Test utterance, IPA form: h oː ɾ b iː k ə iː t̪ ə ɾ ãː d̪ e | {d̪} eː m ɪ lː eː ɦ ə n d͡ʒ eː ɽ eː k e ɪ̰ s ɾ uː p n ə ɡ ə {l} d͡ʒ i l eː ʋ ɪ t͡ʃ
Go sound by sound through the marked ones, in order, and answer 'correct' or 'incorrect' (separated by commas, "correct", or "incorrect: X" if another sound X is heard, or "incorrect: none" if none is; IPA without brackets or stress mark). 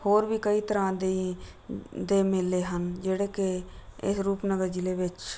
correct, incorrect: ɾ